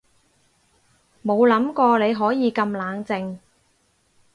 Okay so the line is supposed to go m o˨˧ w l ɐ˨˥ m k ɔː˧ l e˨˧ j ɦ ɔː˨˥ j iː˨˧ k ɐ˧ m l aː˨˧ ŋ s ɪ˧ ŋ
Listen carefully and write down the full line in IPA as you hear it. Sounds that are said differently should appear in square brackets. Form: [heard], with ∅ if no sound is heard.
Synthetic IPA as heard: m o˨˧ w l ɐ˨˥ m k ɔː˧ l e˨˧ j ɦ ɔː˨˥ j iː˨˧ k ɐ˧ m l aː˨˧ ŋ [t͡s] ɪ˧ ŋ